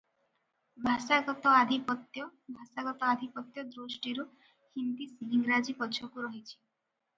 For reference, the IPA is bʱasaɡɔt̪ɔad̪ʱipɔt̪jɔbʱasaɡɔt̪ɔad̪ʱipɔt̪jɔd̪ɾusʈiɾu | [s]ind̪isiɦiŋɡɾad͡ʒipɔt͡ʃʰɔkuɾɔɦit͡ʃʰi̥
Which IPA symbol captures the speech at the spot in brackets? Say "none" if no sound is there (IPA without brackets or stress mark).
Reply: h